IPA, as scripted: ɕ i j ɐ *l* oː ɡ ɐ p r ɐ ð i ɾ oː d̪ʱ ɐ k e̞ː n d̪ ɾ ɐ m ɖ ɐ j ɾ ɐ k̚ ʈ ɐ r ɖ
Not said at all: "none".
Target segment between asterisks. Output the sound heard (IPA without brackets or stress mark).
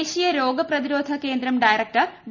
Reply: ɾ